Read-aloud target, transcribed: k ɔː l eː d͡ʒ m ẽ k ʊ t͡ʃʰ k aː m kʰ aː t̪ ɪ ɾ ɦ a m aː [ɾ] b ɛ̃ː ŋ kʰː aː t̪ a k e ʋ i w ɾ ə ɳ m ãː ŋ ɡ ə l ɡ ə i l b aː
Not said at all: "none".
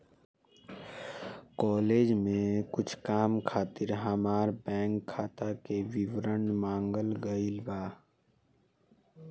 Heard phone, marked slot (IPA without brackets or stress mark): ɾ